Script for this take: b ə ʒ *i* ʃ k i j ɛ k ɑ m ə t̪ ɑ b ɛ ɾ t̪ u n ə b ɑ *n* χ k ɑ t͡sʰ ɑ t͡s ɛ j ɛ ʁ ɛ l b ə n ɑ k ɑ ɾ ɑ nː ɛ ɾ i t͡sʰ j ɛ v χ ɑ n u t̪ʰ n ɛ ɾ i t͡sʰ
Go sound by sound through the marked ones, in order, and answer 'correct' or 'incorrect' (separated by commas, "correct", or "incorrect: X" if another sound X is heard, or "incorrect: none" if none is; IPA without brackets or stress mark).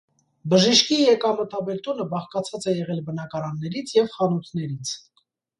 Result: correct, incorrect: none